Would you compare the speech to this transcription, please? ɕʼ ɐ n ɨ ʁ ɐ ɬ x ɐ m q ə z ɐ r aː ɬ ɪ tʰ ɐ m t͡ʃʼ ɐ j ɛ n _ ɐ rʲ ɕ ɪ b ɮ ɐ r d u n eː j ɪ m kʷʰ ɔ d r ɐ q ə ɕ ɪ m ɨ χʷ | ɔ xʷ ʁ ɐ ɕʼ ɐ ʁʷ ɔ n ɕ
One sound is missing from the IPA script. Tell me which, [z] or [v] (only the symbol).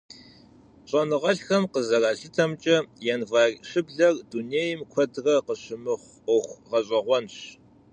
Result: v